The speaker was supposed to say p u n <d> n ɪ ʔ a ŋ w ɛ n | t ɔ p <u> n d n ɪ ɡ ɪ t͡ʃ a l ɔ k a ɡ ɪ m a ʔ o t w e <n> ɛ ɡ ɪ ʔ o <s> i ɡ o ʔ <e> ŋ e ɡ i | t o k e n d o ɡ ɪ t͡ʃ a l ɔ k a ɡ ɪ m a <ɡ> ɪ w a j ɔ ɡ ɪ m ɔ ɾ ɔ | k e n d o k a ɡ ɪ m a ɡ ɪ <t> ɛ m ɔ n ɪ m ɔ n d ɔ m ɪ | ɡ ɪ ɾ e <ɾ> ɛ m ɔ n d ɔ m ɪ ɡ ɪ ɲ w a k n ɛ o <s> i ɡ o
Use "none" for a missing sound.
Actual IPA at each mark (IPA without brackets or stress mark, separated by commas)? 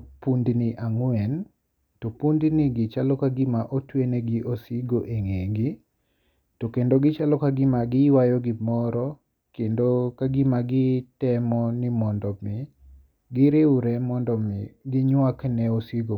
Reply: d, u, n, s, e, ɡ, t, ɾ, s